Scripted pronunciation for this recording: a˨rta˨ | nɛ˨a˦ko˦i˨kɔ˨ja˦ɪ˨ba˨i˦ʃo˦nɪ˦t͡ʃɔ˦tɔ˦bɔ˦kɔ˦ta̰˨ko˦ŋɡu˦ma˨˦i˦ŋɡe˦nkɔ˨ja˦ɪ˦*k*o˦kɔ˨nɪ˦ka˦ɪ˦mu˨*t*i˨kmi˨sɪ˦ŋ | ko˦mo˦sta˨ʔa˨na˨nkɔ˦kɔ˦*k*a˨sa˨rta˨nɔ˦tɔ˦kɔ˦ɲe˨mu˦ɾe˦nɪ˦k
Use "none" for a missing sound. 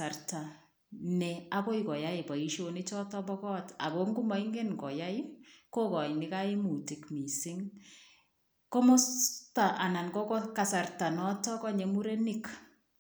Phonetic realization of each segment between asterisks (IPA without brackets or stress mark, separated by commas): k, t, k